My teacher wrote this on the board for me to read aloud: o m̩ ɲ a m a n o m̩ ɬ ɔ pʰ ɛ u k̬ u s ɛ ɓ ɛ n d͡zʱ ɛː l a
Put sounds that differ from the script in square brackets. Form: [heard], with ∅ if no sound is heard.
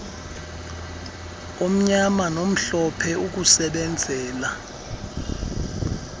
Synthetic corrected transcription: o m̩ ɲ a m a n o m̩ ɬ ɔ pʰ ɛ u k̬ u s ɛ ɓ ɛ n d͡zʱ ɛː l a

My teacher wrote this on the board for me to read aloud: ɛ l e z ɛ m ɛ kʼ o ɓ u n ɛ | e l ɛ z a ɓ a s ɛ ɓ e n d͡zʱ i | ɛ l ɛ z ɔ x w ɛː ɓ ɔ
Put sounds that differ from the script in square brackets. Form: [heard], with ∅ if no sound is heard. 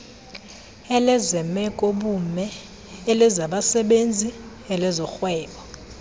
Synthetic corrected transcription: ɛ l [ɛ] z ɛ m ɛ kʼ o ɓ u [m] ɛ | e l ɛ z a ɓ a s ɛ ɓ e n d͡zʱ i | ɛ l ɛ z ɔ x w ɛː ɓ ɔ

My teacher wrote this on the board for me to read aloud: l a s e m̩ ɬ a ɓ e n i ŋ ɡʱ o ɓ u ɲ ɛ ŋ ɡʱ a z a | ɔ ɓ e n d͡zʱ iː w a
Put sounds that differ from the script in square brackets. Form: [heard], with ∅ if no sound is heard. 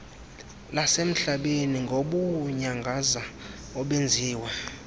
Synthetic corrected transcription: l a s e m̩ ɬ a ɓ e n i ŋ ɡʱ o ɓ u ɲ [a] ŋ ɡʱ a z a | ɔ ɓ e n d͡zʱ iː w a

